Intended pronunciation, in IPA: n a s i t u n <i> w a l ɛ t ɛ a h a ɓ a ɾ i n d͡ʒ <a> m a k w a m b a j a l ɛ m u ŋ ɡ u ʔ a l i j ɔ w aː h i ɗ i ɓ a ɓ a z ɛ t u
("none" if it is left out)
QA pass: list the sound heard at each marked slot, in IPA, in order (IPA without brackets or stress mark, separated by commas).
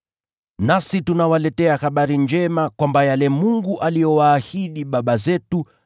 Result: a, ɛ